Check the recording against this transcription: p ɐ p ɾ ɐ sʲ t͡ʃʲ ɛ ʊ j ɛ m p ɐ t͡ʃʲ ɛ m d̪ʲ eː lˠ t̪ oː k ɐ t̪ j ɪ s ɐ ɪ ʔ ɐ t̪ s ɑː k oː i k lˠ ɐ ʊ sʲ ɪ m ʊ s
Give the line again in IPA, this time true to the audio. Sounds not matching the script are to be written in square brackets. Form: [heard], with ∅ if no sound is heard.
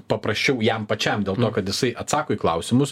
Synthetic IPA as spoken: p ɐ p ɾ ɐ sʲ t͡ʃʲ ɛ ʊ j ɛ m p ɐ t͡ʃʲ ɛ m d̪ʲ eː lˠ t̪ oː k ɐ t̪ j ɪ s ɐ ɪ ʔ ɐ t̪ s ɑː k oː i k lˠ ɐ ʊ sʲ ɪ m ʊ s